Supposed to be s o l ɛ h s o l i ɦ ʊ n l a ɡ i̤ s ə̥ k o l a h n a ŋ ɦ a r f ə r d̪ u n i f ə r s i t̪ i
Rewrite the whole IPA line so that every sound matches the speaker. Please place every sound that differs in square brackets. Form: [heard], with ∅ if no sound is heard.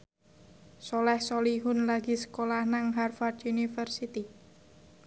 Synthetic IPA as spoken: s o l ɛ h s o l i ɦ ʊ n l a ɡ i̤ s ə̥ k o l a h n a ŋ ɦ a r f [a] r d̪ u n i f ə r s i t̪ i